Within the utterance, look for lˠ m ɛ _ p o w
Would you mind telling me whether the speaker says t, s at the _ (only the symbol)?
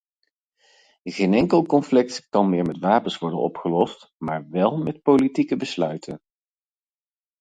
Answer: t